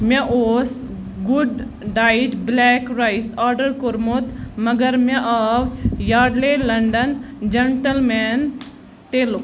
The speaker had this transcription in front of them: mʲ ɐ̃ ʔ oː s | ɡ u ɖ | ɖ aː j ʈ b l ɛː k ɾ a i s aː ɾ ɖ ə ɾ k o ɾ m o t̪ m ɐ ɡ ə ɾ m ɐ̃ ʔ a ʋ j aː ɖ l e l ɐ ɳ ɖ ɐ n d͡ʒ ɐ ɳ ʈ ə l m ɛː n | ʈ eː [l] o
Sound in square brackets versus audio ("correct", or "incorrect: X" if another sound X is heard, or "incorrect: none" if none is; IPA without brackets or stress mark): correct